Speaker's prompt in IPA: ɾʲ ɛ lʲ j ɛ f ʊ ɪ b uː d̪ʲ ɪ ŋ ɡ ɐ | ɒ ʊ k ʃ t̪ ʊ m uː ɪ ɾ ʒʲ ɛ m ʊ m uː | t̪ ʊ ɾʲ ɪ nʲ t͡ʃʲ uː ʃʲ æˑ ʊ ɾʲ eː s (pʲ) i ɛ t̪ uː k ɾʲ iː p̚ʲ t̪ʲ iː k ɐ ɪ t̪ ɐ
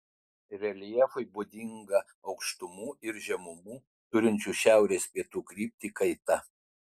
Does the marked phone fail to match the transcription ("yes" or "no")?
no